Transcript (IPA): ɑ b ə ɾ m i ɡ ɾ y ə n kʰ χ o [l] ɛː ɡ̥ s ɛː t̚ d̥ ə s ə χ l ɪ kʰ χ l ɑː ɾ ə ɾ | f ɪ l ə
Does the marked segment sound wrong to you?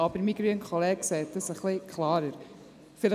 no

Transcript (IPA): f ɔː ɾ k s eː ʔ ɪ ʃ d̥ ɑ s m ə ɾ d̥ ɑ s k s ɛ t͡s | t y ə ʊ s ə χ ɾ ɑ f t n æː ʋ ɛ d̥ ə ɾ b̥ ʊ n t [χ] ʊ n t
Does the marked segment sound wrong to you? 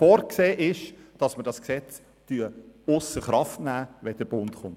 no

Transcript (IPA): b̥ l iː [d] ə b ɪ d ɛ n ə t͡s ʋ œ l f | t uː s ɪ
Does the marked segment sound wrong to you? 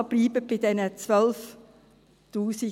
yes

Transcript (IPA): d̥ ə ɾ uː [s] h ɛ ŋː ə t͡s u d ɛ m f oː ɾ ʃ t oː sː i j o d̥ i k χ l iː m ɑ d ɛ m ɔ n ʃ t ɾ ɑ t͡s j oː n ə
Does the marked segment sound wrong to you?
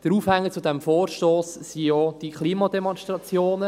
yes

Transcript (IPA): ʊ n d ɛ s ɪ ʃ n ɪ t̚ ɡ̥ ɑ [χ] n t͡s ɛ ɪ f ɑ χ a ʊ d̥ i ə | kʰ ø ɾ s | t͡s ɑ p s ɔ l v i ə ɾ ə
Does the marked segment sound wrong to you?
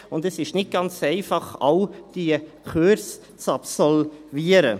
yes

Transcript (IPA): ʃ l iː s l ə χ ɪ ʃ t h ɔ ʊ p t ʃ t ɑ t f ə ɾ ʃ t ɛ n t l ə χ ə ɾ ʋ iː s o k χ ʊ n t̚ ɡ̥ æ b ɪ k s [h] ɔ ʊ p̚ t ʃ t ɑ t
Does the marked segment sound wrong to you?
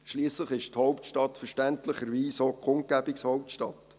no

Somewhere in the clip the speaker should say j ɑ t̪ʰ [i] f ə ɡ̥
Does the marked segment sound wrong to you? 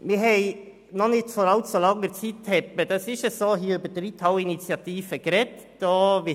yes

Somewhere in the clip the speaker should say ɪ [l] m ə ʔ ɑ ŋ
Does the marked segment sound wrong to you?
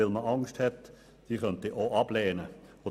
no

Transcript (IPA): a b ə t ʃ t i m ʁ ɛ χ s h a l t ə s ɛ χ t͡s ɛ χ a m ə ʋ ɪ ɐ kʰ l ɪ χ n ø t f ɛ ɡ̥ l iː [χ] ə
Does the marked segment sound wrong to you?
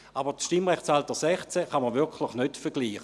no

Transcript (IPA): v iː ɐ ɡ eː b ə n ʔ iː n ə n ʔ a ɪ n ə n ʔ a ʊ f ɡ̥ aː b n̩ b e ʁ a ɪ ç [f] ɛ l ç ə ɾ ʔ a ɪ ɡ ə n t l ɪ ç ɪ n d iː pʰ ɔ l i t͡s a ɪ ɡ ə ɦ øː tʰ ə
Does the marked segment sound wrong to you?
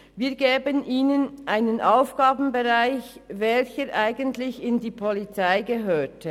yes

